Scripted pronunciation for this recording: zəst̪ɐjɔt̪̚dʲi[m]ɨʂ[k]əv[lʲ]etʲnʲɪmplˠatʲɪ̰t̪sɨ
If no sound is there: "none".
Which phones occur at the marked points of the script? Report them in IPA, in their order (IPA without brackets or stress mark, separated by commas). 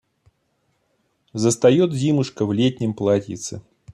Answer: m, k, lʲ